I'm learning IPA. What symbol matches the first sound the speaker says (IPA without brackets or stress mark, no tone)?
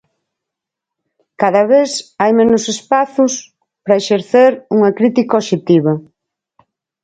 k